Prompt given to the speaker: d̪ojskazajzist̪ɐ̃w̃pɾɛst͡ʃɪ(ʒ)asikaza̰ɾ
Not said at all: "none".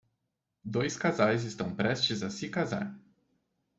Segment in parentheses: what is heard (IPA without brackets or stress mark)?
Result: z